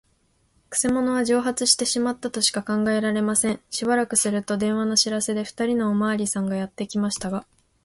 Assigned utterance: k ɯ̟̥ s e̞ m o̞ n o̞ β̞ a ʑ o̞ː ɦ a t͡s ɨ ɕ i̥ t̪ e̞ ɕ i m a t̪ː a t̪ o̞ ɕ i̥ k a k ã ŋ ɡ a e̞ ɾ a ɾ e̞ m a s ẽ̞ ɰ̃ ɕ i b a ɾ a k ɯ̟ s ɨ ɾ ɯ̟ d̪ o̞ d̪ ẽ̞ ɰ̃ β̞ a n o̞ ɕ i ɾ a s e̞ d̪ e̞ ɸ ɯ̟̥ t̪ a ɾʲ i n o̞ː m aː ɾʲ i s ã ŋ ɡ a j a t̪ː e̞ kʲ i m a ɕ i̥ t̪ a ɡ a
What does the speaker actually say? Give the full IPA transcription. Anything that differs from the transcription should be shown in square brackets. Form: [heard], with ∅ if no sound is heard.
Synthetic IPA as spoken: k ɯ̟̥ s e̞ m o̞ n o̞ β̞ a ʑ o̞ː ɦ a t͡s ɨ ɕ i̥ t̪ e̞ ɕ i m a t̪ː a t̪ o̞ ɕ i̥ k a k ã ŋ ɡ a e̞ ɾ a ɾ e̞ m a s ẽ̞ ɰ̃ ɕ i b a ɾ a k ɯ̟ s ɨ ɾ ɯ̟ [t̪] o̞ d̪ ẽ̞ ɰ̃ β̞ a n o̞ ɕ i ɾ a s e̞ d̪ e̞ ɸ ɯ̟̥ t̪ a ɾʲ i n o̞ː m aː ɾʲ i s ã ŋ ɡ a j a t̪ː e̞ kʲ i m a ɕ i̥ t̪ a ɡ a